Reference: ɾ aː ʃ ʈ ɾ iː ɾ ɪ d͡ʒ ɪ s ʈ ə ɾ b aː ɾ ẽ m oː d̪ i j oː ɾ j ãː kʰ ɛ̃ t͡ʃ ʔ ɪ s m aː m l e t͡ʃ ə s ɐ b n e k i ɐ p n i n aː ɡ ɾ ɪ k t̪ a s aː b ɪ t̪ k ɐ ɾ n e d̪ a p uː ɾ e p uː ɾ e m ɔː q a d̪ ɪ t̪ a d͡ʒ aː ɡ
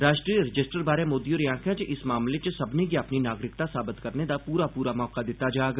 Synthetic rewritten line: ɾ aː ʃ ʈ ɾ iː ɾ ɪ d͡ʒ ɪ s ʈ ə ɾ b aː ɾ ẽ m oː d̪ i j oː ɾ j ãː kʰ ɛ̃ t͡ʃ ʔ ɪ s m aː m l e t͡ʃ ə s ɐ b n e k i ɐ p n i n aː ɡ ɾ ɪ k t̪ a s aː b ɪ t̪ k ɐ ɾ n e d̪ a p uː ɾ a p uː ɾ a m ɔː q a d̪ ɪ t̪ a d͡ʒ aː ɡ